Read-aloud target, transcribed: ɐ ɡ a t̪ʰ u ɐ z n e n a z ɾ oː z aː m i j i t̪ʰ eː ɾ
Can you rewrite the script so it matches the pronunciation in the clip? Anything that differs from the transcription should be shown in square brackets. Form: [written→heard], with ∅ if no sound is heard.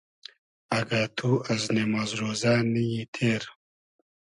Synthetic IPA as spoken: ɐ ɡ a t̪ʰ u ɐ z n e [n→m] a z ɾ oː z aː [m→n] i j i t̪ʰ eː ɾ